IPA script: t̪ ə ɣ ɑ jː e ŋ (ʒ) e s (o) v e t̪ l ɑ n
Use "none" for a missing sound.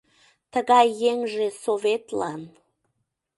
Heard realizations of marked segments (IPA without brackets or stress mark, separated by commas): ʒ, o